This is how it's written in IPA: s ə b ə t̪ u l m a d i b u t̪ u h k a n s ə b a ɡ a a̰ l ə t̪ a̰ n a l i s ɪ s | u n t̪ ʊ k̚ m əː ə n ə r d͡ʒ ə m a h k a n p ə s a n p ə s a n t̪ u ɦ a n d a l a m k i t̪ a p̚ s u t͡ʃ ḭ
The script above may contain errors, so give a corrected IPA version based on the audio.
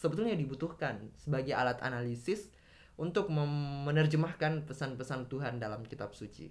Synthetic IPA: s ə b ə t̪ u l ɲ a d i b u t̪ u h k a n s ə b a ɡ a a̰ l a t̪ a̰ n a l i s ɪ s | u n t̪ ʊ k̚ m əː ə n ə r d͡ʒ ə m a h k a n p ə s a n p ə s a n t̪ u ɦ a n d a l a m k i t̪ a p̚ s u t͡ʃ ḭ